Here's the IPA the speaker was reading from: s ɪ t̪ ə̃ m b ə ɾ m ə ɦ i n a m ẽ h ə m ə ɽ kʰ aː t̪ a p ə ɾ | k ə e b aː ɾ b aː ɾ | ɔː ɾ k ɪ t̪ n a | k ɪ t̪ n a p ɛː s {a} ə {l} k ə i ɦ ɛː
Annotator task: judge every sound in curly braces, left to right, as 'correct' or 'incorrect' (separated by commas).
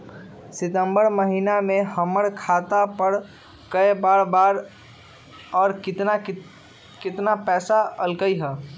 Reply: correct, correct